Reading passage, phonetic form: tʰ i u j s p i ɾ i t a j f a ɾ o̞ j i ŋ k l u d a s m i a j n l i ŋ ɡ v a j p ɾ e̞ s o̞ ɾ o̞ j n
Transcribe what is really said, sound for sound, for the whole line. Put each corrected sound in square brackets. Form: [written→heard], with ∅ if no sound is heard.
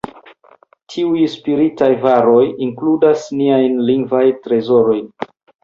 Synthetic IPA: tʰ i u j s p i ɾ i t a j [f→v] a ɾ o̞ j i ŋ k l u d a s [m→n] i a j n l i ŋ ɡ v a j [p→t] ɾ e̞ [s→z] o̞ ɾ o̞ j n

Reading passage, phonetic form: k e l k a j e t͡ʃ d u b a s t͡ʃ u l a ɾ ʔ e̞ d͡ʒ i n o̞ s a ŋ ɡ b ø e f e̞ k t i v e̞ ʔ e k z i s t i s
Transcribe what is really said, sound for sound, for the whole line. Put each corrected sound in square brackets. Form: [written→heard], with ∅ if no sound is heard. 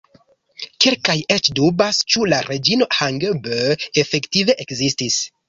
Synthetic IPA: k e l k a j e t͡ʃ d u b a s t͡ʃ u l a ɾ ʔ e̞ d͡ʒ i n o̞ [s→h] a ŋ ɡ b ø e f e̞ k t i v e̞ ʔ e k z i s t i s

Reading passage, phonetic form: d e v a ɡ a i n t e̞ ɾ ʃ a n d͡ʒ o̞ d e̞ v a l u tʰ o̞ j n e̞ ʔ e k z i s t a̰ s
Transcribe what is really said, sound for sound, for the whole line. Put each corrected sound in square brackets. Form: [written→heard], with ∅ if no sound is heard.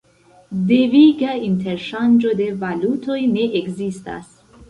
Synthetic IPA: d e v [a→i] ɡ a i n t e̞ ɾ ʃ a n d͡ʒ o̞ d e̞ v a l u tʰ o̞ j n e̞ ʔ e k z i s t a̰ s

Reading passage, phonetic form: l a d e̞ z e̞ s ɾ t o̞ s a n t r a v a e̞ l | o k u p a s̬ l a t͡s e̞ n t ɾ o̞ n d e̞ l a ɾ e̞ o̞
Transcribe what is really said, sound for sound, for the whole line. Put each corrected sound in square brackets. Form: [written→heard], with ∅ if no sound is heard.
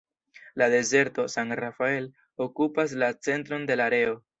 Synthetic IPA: l a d e̞ z e̞ [s→∅] ɾ t o̞ s a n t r a [v→f] a e̞ l | o k u p a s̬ l a t͡s e̞ n t ɾ o̞ n d e̞ l a ɾ e̞ o̞

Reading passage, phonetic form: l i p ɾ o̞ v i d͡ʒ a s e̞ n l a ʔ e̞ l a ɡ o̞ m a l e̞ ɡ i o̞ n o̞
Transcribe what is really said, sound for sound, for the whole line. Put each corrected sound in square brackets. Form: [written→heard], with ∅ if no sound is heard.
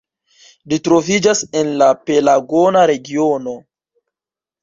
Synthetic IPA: l i [p→t] ɾ o̞ v i d͡ʒ a s e̞ n l a [ʔ→p] e̞ l a ɡ o̞ [m→n] a [l→ɾ] e̞ ɡ i o̞ n o̞

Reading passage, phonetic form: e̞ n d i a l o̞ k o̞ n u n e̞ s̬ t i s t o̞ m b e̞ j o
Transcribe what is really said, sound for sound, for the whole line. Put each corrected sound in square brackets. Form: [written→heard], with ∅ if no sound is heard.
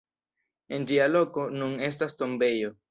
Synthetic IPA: e̞ n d i a l o̞ k o̞ n u n e̞ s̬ t [i→a] s t o̞ m b e̞ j o

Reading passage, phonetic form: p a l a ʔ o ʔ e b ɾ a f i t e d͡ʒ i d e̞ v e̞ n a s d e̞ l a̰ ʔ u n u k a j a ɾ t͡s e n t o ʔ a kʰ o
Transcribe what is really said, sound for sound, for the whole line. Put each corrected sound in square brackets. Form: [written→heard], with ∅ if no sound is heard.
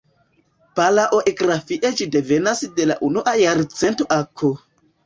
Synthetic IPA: p a l a ʔ o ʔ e [b→ɡ] ɾ a f i [t→ʔ] e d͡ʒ i d e̞ v e̞ n a s d e̞ l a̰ ʔ u n u [k→ʔ] a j a ɾ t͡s e n t o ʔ a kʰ o

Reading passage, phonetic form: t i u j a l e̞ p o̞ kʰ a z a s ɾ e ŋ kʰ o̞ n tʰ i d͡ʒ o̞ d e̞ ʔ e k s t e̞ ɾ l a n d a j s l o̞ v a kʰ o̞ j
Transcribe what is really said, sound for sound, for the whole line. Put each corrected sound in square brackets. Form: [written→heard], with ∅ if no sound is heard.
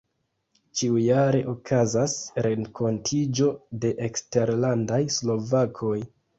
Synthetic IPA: [t→t͡ʃ] i u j a [l→ɾ] e̞ [p→ʔ] o̞ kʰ a z a s ɾ e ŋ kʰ o̞ n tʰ i d͡ʒ o̞ d e̞ ʔ e k s t e̞ ɾ l a n d a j s l o̞ v a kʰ o̞ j

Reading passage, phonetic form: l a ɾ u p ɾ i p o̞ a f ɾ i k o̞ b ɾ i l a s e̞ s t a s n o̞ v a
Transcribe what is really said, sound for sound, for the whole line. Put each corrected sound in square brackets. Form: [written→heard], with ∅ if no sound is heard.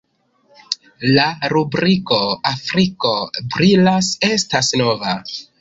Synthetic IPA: l a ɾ u [p→b] ɾ i [p→k] o̞ a f ɾ i k o̞ b ɾ i l a s e̞ s t a s n o̞ v a

